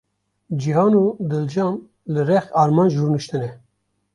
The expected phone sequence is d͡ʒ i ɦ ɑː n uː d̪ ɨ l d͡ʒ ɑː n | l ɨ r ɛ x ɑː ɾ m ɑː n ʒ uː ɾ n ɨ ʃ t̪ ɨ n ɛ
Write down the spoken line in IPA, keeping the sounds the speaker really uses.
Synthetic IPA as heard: d͡ʒ i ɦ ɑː n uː d̪ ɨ l d͡ʒ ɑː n | l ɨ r ɛ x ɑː ɾ m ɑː n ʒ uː ɾ n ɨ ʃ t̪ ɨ n ɛ